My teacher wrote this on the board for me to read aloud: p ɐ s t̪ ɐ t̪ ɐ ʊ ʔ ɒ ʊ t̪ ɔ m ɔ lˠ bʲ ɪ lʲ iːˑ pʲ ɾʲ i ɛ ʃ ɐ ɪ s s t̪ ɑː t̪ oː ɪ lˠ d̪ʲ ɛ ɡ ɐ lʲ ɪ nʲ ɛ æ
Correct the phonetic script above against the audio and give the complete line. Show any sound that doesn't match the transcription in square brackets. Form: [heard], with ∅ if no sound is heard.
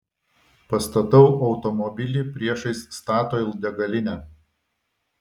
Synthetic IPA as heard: p ɐ s t̪ ɐ t̪ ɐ ʊ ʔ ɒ ʊ t̪ ɔ m ɔ [∅] bʲ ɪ lʲ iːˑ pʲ ɾʲ i ɛ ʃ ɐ ɪ s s t̪ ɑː t̪ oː ɪ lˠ d̪ʲ ɛ ɡ ɐ lʲ ɪ nʲ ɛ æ